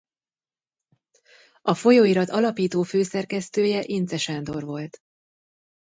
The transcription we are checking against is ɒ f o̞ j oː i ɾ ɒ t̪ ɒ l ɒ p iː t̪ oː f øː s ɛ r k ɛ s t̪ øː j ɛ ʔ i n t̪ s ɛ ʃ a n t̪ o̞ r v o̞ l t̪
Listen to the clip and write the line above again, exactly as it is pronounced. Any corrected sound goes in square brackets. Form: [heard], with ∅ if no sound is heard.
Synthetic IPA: ɒ f o̞ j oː i ɾ ɒ t̪ ɒ l ɒ p iː t̪ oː f øː s ɛ r k ɛ s t̪ øː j ɛ ʔ i n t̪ s ɛ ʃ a n [d̪] o̞ r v o̞ l t̪